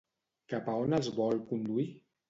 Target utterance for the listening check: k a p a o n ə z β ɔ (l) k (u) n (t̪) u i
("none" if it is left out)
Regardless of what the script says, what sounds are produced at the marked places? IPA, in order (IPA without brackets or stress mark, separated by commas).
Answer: l, u, d̪